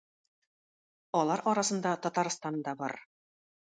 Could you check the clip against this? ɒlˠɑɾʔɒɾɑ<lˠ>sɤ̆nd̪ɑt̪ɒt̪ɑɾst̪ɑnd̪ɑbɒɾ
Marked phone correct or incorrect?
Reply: incorrect